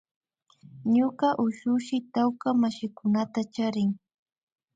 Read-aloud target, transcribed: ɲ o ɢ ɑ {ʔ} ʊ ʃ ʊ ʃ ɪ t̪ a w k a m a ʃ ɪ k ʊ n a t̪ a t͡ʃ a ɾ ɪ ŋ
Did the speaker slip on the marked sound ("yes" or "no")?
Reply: no